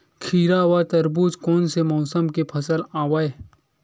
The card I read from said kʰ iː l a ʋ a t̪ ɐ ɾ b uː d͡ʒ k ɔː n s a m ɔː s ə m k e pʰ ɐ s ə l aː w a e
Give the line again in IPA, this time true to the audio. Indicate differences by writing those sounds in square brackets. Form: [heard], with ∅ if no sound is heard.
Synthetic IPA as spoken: kʰ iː [ɾ] a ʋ a t̪ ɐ ɾ b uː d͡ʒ k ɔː n s [e] m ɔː s ə m k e pʰ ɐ s ə l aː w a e

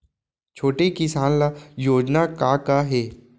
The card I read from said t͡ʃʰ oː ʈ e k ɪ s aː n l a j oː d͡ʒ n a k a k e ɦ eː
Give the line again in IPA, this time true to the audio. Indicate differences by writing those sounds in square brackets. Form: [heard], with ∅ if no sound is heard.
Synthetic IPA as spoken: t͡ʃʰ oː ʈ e k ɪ s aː n l a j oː d͡ʒ n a k a k [a] ɦ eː

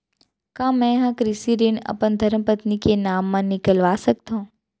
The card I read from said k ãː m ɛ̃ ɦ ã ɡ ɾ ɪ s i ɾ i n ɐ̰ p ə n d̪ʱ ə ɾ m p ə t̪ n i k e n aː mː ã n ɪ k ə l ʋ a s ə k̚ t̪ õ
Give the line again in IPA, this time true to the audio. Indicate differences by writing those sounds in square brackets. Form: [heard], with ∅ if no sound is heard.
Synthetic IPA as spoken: k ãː m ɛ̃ ɦ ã [k] ɾ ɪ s i ɾ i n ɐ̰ p ə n d̪ʱ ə ɾ m p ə t̪ n i k e n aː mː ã n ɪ k ə l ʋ a s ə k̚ t̪ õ

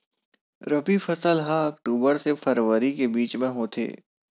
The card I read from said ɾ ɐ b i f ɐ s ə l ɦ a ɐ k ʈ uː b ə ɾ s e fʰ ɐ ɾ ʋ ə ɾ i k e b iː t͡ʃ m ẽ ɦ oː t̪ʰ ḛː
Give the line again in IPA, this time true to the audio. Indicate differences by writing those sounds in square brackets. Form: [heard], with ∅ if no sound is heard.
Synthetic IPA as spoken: ɾ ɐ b i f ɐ s ə l ɦ a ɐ k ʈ uː b ə ɾ s e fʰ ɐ ɾ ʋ ə ɾ i k e b iː t͡ʃ m ẽ ɦ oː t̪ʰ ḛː

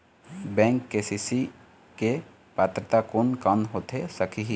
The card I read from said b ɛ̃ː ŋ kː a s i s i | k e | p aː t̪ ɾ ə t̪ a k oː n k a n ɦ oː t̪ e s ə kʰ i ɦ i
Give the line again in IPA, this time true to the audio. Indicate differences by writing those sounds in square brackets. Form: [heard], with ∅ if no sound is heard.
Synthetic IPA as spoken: b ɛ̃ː ŋ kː [e] s i s i | k e | p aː t̪ ɾ ə t̪ a k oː n k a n ɦ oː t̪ e s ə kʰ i ɦ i

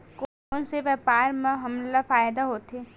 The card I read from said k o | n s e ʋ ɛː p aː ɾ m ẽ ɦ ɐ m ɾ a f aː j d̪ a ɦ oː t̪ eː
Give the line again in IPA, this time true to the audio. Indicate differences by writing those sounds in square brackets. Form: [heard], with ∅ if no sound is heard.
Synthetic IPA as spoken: k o | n s e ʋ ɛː p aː ɾ m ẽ ɦ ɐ m [l] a f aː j d̪ a ɦ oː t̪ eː

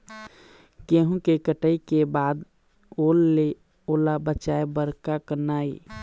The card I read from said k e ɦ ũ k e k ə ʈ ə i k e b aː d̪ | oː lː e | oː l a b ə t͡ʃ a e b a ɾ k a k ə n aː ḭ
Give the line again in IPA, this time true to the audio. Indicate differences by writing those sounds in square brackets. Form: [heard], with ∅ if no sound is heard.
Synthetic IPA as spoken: k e ɦ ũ k e k ə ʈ ə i k e b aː d̪ | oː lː e | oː l a b ə t͡ʃ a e b [ə] ɾ k a k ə n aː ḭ

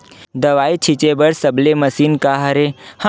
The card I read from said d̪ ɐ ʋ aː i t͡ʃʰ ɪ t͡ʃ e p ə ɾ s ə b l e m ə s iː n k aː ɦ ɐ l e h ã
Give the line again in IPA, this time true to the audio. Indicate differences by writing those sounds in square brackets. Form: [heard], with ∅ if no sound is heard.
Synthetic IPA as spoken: d̪ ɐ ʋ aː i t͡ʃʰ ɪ t͡ʃ e [b] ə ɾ s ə b l e m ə s iː n k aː ɦ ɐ [ɾ] e h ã

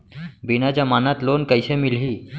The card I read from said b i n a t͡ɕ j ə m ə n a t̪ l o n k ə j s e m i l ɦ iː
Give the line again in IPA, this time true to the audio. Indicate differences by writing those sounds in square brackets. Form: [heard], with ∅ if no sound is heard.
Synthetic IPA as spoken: b i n a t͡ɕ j [a] m [a] n a t̪ l o n k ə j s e m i l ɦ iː

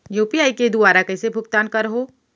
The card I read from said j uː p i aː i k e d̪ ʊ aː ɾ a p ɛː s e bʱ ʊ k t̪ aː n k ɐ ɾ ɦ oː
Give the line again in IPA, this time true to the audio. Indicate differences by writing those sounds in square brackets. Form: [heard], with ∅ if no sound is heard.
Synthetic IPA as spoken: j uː p i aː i k e d̪ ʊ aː ɾ a [k] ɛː s e bʱ ʊ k t̪ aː n k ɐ ɾ ɦ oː

